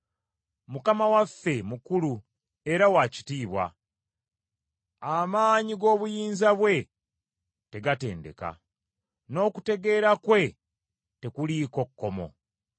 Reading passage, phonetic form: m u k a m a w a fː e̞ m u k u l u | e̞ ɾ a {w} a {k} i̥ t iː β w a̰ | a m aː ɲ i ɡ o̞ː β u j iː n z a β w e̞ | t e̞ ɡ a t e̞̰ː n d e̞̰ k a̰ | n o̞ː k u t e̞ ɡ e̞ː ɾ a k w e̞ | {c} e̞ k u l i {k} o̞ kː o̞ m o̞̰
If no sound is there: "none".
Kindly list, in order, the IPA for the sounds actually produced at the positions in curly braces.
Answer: w, c, t, k

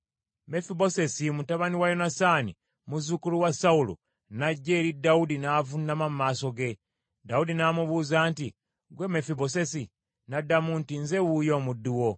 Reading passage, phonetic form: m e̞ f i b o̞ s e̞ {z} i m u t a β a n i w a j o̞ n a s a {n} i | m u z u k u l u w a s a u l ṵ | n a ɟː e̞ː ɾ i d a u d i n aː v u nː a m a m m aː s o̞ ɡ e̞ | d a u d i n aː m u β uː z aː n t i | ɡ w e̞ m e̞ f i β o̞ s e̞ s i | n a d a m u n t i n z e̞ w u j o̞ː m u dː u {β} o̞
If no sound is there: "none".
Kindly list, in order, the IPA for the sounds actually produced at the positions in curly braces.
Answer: s, n, w

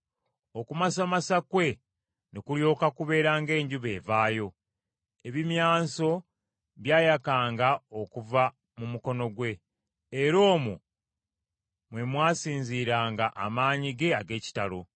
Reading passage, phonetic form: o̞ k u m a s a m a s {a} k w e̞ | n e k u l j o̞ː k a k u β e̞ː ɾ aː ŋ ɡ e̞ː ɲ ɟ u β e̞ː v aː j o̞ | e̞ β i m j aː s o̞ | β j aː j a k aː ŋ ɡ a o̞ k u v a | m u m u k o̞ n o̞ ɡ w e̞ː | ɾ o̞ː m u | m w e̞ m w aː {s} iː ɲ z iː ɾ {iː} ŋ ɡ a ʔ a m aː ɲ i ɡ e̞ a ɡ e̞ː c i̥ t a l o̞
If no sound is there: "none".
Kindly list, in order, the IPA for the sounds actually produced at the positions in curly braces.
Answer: a, s, aː

